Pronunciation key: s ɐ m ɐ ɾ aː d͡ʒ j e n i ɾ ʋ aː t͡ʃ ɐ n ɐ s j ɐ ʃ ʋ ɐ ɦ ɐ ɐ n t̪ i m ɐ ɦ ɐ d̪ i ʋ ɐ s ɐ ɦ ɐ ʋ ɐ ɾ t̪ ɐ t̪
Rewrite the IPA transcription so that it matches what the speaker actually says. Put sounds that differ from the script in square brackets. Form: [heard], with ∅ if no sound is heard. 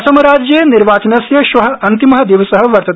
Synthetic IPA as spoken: s ɐ m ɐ ɾ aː d͡ʒ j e n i ɾ ʋ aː t͡ʃ ɐ n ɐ s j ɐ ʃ ʋ ɐ ɦ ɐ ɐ n t̪ i m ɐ ɦ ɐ d̪ i ʋ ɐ s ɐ ɦ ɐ ʋ ɐ ɾ t̪ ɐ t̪